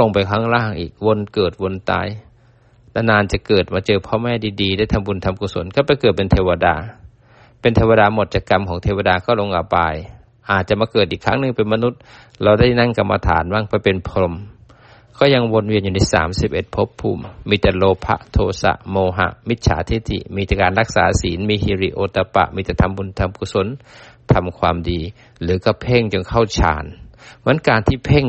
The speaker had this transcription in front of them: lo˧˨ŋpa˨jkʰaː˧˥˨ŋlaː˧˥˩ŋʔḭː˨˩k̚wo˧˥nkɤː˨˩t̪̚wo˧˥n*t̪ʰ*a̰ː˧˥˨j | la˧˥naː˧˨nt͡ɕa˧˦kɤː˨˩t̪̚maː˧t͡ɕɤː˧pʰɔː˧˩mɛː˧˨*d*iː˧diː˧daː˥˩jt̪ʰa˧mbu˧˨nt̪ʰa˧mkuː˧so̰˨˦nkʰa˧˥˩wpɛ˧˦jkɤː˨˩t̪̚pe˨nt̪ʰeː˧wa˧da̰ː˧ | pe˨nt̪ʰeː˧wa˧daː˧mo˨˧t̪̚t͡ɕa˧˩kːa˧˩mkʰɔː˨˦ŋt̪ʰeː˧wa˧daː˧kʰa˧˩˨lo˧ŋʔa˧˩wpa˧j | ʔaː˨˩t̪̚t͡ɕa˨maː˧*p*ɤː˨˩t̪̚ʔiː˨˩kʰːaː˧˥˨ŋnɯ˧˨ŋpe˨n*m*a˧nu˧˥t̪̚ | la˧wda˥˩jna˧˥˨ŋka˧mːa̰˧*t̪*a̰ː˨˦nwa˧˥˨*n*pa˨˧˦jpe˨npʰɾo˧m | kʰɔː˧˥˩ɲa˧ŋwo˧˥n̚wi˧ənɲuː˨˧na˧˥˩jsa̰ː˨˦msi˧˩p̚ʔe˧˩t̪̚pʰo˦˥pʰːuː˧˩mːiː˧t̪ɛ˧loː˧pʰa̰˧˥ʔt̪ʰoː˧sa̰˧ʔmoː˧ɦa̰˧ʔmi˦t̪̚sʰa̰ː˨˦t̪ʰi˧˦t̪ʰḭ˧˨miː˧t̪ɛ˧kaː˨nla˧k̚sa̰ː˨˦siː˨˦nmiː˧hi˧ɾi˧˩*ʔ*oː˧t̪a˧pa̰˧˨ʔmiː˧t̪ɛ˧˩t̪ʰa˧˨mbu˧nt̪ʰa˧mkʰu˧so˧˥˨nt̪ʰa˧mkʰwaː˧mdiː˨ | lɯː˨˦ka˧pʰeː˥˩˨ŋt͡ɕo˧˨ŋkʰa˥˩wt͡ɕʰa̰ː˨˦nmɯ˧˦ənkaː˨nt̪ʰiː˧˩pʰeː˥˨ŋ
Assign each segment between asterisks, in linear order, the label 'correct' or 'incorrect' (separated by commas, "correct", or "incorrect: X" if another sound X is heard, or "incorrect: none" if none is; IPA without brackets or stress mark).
incorrect: t̪, correct, incorrect: k, correct, incorrect: t̪ʰ, incorrect: ŋ, correct